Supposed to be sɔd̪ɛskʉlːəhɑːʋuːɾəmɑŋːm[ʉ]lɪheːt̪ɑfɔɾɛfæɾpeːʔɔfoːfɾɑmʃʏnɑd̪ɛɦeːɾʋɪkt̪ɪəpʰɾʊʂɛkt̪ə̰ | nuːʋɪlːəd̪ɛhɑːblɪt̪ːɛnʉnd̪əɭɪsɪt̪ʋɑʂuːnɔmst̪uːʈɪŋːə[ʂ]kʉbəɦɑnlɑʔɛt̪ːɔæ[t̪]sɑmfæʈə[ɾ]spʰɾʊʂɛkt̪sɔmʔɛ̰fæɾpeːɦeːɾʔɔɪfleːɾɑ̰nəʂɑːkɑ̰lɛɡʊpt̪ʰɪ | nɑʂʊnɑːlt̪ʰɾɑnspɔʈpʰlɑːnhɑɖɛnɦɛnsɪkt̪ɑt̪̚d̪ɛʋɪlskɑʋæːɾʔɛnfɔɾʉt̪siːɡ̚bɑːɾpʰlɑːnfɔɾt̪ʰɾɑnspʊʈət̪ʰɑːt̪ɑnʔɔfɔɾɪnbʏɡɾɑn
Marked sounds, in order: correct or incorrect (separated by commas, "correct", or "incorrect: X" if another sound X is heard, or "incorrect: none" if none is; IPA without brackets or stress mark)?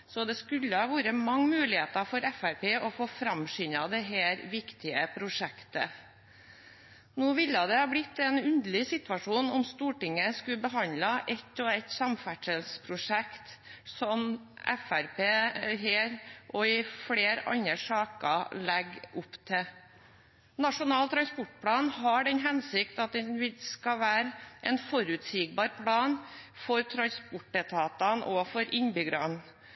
incorrect: ʉː, incorrect: s, correct, incorrect: l